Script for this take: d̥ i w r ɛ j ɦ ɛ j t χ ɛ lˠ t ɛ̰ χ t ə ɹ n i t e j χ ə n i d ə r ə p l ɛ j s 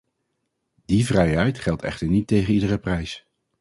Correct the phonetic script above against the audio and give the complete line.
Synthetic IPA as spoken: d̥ i v r ɛ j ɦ ɛ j t χ ɛ lˠ t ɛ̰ χ t ə ɹ n i t e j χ ə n i d ə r ə p r ɛ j s